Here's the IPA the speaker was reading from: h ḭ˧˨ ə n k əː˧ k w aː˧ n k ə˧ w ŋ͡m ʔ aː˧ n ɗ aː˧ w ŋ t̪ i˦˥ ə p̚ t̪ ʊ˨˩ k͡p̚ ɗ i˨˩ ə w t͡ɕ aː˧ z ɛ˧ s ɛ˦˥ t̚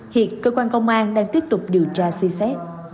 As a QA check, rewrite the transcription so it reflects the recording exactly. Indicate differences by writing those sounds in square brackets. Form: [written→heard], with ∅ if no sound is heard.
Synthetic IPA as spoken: h ḭ˧˨ ə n k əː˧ k w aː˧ n k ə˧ w ŋ͡m ʔ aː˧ n ɗ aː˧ [w→∅] ŋ t̪ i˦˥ ə p̚ t̪ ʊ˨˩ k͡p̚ ɗ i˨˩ ə w t͡ɕ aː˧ [z→s] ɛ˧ s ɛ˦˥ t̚

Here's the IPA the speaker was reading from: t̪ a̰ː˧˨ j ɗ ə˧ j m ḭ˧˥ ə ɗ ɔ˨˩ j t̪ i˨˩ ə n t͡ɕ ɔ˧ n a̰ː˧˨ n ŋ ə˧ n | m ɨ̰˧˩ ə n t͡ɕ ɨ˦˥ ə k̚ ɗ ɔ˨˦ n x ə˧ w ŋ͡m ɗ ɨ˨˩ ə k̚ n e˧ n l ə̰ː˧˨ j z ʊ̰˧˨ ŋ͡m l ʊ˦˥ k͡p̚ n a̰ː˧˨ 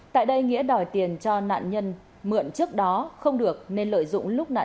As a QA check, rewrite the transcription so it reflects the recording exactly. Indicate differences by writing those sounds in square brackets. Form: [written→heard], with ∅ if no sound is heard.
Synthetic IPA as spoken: t̪ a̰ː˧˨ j ɗ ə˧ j [m→ŋ] ḭ˧˥ ə ɗ ɔ˨˩ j t̪ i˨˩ ə n t͡ɕ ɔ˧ n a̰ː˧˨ n [ŋ→ɲ] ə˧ n | m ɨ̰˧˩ ə n t͡ɕ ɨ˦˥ ə k̚ ɗ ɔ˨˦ [n→∅] x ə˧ w ŋ͡m ɗ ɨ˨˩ ə k̚ n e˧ n l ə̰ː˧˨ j z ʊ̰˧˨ ŋ͡m l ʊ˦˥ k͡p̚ n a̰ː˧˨

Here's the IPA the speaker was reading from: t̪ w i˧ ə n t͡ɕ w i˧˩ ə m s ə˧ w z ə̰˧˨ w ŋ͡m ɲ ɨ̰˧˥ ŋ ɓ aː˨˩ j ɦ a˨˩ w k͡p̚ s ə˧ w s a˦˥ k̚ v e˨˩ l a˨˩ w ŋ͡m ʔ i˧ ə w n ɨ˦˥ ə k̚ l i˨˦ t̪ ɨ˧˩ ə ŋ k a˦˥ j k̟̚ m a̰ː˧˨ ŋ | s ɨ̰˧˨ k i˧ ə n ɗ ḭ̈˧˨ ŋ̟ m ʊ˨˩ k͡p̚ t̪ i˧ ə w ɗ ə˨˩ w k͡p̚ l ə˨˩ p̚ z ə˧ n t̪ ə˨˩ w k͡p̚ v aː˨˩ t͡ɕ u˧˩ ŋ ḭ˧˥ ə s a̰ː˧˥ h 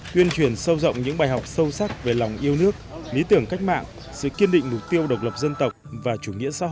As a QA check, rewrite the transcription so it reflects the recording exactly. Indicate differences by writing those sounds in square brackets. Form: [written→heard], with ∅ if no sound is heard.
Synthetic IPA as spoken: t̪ w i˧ ə n t͡ɕ w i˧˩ ə [m→n] s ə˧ w z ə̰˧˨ w ŋ͡m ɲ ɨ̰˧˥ ŋ ɓ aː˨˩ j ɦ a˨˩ w k͡p̚ s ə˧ w s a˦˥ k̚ v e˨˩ l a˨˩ w ŋ͡m ʔ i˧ ə w n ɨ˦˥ ə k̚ l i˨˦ t̪ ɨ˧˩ ə ŋ k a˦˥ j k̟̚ m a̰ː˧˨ ŋ | s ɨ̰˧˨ k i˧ ə n ɗ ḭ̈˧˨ ŋ̟ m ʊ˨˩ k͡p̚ t̪ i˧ ə w ɗ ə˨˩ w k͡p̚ l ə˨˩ p̚ z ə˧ n t̪ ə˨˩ w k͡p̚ v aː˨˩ t͡ɕ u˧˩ ŋ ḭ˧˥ ə s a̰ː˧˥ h

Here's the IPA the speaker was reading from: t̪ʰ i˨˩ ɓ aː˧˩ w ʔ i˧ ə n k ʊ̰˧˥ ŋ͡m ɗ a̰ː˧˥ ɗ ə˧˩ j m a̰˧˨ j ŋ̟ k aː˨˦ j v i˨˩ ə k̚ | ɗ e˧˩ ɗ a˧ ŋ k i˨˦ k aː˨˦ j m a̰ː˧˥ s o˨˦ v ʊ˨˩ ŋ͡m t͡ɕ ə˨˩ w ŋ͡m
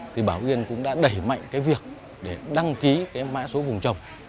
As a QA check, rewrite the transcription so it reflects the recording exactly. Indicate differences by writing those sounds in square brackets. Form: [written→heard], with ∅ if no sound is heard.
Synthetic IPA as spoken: t̪ʰ i˨˩ ɓ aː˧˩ w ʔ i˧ ə n k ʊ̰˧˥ ŋ͡m ɗ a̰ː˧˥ ɗ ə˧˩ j m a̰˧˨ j ŋ̟ k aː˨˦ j v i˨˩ ə k̚ | ɗ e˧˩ ɗ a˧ ŋ k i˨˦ k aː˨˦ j m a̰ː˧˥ s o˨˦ v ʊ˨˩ ŋ͡m t͡ɕ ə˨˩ w ŋ͡m

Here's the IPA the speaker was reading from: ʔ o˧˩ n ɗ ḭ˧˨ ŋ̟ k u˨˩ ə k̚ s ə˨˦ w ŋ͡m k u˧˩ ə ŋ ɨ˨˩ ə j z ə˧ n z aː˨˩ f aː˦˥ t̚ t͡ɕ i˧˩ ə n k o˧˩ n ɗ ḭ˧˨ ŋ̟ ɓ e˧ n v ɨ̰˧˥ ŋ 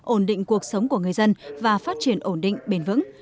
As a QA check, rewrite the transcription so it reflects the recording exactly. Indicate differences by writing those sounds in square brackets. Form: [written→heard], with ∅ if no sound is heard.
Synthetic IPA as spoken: ʔ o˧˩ n ɗ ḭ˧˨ ŋ̟ k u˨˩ ə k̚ s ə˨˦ w ŋ͡m k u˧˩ ə ŋ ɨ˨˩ ə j z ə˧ n [z→v] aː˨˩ f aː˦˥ t̚ t͡ɕ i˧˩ ə n [k→ʔ] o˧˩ n ɗ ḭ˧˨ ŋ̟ ɓ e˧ n v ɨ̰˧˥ ŋ

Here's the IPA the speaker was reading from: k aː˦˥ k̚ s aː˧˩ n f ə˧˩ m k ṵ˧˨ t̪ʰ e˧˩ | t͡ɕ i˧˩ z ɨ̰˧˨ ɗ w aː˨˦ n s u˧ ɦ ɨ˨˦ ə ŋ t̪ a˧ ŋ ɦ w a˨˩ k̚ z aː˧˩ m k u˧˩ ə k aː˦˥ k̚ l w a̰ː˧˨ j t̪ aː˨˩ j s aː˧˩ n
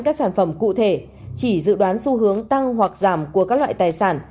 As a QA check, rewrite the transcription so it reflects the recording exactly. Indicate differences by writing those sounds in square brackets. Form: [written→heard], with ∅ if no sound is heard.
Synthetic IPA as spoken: k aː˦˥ k̚ s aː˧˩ n f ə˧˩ m k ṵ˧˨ t̪ʰ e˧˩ | t͡ɕ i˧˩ z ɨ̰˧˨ ɗ w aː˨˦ n s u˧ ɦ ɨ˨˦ ə ŋ t̪ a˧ ŋ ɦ w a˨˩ k̚ z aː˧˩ m k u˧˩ ə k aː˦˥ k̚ l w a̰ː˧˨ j t̪ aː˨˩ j s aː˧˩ n

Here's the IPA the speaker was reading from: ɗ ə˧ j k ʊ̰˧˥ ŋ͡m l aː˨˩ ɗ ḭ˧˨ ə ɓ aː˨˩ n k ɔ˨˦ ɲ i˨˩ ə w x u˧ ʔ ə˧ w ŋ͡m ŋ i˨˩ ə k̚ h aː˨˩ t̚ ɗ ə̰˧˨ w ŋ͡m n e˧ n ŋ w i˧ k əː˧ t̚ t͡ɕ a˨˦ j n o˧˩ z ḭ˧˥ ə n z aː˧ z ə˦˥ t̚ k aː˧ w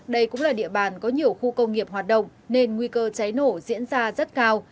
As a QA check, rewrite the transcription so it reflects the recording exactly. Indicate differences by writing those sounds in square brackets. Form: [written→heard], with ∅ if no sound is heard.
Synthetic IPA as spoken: ɗ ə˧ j k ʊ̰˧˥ ŋ͡m l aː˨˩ ɗ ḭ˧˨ ə ɓ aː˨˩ n k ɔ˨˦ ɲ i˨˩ ə w x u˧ [ʔ→k] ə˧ w ŋ͡m ŋ i˨˩ ə [k̚→p̚] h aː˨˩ t̚ ɗ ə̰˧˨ w ŋ͡m n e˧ n ŋ w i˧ k əː˧ [t̚→∅] t͡ɕ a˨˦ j n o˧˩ z ḭ˧˥ ə n z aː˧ z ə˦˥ t̚ k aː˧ w

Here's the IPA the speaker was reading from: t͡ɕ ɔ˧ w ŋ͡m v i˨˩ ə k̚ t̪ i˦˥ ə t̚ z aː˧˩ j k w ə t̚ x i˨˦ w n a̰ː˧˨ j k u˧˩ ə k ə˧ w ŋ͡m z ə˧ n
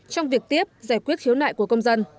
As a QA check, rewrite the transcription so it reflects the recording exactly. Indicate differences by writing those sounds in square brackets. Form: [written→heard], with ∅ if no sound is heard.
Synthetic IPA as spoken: t͡ɕ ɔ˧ w ŋ͡m v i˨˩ ə k̚ t̪ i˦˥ ə [t̚→p̚] z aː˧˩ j k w ə t̚ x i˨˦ w n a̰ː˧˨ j k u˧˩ ə k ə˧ w ŋ͡m z ə˧ n

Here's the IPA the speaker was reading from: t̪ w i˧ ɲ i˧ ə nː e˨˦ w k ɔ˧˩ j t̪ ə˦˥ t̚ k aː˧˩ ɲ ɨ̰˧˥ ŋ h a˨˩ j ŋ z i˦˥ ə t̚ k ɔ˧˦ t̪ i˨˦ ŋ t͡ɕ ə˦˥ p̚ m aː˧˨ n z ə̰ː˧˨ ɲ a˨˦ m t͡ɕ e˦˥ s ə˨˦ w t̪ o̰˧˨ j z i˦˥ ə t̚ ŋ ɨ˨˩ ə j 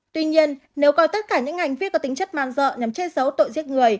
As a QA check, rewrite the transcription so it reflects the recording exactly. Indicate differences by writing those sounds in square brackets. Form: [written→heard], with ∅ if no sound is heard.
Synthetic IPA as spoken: t̪ w i˧ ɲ i˧ ə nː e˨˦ w k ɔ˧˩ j t̪ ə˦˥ t̚ k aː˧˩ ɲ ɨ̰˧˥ ŋ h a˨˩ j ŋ [z→v] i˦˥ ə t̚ k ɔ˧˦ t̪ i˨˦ ŋ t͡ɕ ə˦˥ [p̚→t̚] m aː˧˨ n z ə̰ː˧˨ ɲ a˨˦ m t͡ɕ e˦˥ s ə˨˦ w t̪ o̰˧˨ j z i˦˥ ə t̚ ŋ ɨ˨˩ ə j

